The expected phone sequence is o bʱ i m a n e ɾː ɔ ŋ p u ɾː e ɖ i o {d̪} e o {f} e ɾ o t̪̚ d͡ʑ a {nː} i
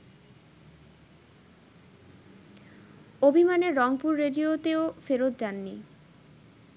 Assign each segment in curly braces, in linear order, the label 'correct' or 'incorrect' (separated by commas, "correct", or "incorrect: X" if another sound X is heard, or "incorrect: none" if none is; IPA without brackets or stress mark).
incorrect: t̪, correct, correct